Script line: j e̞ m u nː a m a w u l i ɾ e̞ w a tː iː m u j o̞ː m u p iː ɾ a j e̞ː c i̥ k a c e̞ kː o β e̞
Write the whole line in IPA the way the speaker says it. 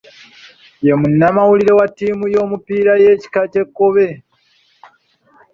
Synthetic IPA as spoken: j e̞ m u nː a m a w u l i ɾ e̞ w a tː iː m u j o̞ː m u p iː ɾ a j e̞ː c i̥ k a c e̞ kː o β e̞

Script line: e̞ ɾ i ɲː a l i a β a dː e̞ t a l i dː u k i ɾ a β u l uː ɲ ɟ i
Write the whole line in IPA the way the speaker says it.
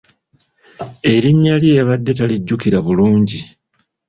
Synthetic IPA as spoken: e̞ ɾ i ɲː a l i e β a dː e̞ t a l i ɟː u k i ɾ a β u l uː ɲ ɟ i

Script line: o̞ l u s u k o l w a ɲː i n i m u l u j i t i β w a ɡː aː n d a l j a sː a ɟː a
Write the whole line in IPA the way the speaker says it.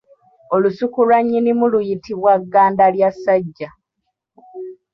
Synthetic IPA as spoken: o̞ l u s u k u l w a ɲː i n i m u l u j i t i β w a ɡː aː n d a l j a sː a ɟː a

